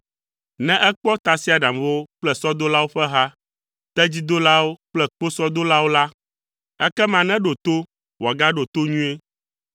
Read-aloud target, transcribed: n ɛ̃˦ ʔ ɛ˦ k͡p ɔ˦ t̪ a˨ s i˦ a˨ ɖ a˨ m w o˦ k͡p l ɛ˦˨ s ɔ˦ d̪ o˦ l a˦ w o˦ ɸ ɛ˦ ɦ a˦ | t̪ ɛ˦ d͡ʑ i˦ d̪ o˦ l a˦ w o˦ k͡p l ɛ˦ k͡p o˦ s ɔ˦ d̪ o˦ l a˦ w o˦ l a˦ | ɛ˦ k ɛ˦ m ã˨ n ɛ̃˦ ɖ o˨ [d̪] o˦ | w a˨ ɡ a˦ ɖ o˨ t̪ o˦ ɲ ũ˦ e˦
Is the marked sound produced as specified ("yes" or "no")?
no